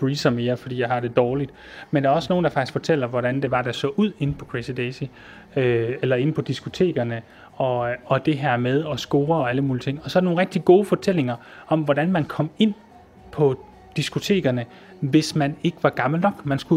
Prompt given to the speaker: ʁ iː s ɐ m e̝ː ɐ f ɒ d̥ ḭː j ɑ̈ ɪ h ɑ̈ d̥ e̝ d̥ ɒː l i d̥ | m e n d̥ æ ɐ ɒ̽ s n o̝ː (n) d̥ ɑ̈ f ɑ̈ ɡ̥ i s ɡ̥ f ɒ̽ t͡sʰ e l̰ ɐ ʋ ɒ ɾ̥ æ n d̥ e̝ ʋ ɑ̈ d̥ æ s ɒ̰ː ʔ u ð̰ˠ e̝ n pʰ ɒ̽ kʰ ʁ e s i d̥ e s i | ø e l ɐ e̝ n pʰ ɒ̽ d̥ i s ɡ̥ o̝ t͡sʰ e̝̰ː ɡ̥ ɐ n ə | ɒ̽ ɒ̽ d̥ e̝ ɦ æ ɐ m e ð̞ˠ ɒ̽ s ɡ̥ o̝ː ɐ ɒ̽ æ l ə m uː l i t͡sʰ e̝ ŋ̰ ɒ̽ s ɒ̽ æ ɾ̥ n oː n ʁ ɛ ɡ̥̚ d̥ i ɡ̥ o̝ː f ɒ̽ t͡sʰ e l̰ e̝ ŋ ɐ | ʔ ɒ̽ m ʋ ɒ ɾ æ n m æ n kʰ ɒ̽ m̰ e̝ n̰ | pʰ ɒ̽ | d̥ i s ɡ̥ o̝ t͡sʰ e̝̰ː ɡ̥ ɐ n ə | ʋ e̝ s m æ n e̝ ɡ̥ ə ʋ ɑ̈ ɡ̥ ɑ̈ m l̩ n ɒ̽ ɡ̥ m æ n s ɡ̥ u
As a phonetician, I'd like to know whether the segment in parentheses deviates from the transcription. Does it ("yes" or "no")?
no